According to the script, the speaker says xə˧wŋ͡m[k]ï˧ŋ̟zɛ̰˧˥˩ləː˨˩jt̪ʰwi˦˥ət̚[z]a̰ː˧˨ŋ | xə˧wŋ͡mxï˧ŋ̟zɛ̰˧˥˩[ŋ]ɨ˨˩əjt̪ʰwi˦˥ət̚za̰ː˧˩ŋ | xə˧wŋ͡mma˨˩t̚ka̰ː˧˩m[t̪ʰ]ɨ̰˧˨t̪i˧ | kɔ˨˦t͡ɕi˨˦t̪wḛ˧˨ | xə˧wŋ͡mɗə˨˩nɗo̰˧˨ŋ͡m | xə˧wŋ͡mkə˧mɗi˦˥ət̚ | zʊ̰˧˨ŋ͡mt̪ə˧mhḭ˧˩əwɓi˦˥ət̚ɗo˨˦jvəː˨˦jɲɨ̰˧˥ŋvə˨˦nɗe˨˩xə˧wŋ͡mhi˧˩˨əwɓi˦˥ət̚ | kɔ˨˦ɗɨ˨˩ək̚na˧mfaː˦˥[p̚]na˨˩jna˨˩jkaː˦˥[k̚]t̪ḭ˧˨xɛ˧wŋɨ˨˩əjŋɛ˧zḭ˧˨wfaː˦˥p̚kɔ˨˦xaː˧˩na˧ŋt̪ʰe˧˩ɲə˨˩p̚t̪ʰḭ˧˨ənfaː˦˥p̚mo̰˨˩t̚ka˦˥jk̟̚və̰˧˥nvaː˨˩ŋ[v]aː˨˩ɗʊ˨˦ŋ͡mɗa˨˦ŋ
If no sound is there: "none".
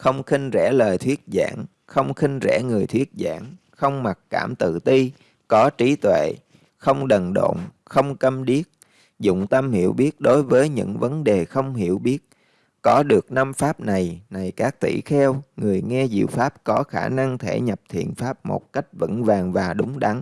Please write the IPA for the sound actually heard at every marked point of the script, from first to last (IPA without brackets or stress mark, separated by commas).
x, z, ŋ, t̪, p̚, k̚, v